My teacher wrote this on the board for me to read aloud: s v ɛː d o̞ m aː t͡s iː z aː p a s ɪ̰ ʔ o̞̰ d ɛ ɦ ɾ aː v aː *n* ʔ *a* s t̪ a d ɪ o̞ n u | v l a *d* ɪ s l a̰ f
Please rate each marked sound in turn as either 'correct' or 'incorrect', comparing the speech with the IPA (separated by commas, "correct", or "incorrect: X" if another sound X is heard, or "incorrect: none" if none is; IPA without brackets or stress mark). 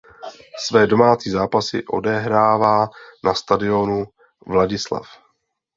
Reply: correct, correct, incorrect: ɟ